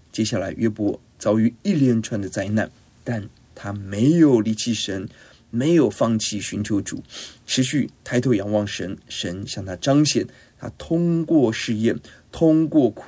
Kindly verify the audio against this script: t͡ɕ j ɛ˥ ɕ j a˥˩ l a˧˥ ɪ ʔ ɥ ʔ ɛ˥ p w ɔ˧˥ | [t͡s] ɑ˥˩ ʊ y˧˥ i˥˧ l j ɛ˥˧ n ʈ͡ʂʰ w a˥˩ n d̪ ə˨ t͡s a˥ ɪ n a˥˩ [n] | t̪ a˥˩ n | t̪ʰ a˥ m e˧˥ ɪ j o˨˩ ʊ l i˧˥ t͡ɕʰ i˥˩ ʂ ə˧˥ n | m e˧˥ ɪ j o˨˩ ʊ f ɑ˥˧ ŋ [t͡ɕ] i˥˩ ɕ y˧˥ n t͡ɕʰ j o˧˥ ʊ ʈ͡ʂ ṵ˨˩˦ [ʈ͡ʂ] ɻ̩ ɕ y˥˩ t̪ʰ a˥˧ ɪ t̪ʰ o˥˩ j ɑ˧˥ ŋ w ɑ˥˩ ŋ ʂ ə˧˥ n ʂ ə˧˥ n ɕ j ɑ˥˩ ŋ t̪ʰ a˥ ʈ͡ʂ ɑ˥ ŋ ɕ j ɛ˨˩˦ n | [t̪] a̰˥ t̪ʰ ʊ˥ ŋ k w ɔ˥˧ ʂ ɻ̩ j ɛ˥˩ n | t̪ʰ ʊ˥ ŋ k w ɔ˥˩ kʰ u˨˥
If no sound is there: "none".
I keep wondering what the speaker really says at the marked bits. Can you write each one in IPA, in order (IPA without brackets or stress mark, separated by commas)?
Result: t͡s, n, t͡ɕʰ, ʈ͡ʂʰ, t̪ʰ